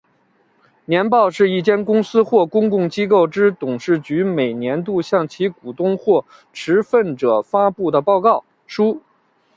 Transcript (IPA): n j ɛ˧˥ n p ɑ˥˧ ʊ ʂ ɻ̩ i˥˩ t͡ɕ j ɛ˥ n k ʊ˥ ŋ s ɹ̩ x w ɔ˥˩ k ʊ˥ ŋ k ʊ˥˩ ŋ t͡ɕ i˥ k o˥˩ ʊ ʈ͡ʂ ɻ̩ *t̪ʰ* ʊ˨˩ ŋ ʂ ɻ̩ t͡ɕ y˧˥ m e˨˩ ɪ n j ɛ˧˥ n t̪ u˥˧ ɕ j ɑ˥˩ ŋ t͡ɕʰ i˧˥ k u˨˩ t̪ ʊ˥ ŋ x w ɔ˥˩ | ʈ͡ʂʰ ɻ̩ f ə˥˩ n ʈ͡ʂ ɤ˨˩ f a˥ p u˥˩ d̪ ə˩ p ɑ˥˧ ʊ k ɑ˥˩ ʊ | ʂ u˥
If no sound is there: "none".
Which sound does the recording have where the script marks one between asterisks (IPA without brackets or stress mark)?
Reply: t̪